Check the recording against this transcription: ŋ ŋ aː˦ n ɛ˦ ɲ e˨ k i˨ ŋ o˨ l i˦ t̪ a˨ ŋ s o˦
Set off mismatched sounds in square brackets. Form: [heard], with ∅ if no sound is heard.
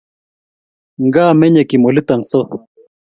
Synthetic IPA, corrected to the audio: ŋ [ɡ] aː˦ [m] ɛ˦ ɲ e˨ k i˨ [m] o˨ l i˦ t̪ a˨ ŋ s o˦